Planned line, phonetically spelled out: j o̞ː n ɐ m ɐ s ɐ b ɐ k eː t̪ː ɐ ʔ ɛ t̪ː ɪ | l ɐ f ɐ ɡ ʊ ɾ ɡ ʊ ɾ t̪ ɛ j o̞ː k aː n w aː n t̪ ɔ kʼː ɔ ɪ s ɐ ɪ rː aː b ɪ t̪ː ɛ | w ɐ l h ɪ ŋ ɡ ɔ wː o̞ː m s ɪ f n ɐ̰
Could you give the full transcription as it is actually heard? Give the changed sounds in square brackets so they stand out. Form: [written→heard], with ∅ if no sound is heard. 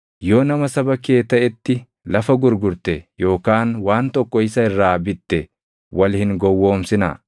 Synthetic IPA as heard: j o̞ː n ɐ m ɐ s ɐ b ɐ k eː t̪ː ɐ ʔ ɛ t̪ː ɪ | l ɐ f ɐ ɡ ʊ ɾ ɡ ʊ ɾ t̪ ɛ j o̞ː k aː n w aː n t̪ ɔ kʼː ɔ ɪ s ɐ ɪ rː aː b ɪ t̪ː ɛ | w ɐ l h ɪ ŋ ɡ ɔ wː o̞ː m s ɪ [f→∅] n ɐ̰